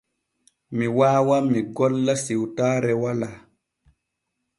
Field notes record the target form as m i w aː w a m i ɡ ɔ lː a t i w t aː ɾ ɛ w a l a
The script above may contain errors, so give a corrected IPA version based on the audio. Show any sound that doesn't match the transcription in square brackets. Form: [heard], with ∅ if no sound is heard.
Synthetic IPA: m i w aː w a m i ɡ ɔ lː a [s] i w t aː ɾ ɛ w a l a